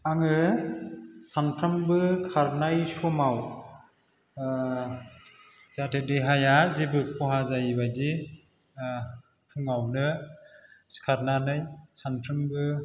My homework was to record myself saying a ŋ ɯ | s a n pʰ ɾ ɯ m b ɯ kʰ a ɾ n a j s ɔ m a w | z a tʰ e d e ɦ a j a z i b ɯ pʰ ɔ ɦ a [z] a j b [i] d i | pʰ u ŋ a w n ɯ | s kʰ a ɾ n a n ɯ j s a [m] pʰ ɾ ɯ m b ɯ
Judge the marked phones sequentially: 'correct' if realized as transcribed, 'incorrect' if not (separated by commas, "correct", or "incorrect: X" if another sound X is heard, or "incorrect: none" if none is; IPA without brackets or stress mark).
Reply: correct, incorrect: a, incorrect: n